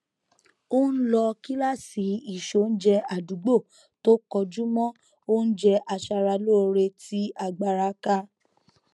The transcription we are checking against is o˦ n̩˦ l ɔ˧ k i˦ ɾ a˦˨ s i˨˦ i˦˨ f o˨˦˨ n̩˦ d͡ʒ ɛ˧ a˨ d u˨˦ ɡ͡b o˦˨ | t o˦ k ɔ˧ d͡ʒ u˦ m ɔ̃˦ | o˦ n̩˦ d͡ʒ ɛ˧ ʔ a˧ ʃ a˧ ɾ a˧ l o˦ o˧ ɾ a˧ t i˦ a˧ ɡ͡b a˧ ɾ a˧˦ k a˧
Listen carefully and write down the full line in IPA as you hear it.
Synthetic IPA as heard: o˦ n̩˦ l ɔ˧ k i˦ l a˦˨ s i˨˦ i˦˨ ʃ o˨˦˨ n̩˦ d͡ʒ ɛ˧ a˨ d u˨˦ ɡ͡b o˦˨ | t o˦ k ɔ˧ d͡ʒ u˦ m ɔ̃˦ | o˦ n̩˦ d͡ʒ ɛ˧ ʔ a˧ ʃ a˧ ɾ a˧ l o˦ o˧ ɾ e˧ t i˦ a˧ ɡ͡b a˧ ɾ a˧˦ k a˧